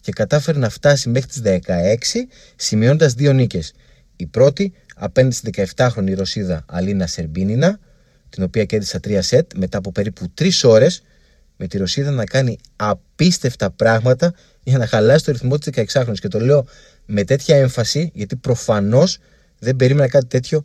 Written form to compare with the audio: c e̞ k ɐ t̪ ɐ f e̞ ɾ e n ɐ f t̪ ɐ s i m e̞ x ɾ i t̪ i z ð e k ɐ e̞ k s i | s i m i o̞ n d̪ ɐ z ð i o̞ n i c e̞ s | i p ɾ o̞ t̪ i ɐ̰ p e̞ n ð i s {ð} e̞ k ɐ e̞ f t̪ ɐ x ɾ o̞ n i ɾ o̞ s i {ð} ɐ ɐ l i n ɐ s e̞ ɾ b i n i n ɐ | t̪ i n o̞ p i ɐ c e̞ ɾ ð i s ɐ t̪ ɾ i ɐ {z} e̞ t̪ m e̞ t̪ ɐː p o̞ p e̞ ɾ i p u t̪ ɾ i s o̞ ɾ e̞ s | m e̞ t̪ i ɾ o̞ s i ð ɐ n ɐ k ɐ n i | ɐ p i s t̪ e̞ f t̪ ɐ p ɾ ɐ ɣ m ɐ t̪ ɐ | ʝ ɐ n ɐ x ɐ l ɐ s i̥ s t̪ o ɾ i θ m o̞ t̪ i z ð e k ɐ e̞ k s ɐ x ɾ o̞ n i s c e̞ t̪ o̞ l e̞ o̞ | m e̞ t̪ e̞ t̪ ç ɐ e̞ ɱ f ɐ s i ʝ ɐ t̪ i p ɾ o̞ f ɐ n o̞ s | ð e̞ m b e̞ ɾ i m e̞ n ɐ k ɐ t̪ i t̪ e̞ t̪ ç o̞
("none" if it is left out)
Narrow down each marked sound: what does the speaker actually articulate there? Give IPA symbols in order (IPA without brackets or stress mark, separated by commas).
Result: ð, ð, s